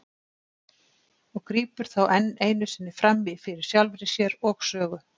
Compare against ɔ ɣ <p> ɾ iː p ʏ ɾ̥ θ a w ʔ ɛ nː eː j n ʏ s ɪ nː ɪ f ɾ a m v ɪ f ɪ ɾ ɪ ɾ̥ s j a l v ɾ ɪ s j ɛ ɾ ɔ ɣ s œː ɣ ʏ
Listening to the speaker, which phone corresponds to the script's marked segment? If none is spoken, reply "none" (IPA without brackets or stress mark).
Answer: k